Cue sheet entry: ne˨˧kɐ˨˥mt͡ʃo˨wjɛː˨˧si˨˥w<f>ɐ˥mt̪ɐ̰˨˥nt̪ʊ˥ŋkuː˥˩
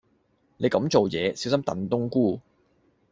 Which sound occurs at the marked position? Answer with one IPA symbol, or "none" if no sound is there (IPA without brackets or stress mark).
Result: s